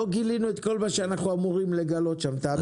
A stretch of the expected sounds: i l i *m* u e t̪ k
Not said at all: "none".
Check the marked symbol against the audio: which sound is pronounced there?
n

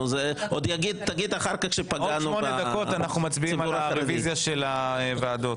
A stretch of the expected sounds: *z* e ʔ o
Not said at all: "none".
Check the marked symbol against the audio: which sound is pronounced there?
z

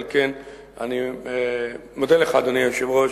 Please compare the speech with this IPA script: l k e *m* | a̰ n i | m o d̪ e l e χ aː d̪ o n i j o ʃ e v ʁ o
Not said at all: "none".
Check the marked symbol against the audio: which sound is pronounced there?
n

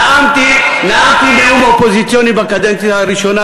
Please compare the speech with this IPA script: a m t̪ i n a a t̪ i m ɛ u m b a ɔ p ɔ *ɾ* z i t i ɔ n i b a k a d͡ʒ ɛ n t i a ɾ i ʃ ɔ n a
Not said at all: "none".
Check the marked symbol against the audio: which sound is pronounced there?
none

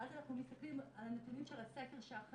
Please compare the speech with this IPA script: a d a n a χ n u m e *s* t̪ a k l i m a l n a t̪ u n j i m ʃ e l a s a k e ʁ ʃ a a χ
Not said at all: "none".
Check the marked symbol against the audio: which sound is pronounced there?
s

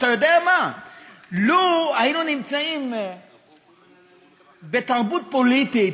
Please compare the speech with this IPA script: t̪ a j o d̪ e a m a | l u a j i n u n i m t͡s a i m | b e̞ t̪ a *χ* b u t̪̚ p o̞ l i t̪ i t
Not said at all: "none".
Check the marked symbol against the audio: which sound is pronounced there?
ʁ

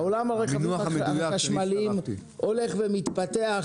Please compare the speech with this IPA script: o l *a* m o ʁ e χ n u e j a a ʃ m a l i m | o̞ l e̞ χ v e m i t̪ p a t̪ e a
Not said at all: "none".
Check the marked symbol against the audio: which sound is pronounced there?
a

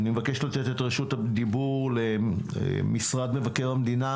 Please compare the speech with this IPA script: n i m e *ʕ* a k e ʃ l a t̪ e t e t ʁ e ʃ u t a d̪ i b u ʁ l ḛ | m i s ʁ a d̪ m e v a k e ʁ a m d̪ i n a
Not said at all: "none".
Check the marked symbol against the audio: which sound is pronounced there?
v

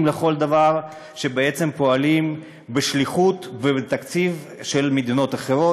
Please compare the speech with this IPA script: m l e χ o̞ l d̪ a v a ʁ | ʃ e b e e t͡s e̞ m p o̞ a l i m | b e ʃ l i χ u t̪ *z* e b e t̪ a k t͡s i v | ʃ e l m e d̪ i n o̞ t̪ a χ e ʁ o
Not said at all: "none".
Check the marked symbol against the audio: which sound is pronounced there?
v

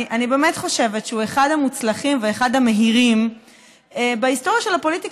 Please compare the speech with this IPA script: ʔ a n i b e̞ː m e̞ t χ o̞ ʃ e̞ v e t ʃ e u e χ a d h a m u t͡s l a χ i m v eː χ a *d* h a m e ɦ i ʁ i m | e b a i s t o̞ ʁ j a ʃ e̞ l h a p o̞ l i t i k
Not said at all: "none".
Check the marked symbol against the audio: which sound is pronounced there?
d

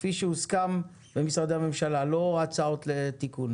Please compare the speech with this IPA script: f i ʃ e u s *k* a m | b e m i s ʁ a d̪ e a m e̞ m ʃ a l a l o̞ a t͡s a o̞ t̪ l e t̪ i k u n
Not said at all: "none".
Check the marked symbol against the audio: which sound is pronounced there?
k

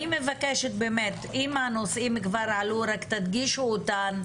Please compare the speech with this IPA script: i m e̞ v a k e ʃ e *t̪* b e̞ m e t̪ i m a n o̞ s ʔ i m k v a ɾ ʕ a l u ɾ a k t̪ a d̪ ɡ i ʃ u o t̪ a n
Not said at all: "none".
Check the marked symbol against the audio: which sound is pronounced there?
t̪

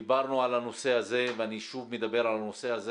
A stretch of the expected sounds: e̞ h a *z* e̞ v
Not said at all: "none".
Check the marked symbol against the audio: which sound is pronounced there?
z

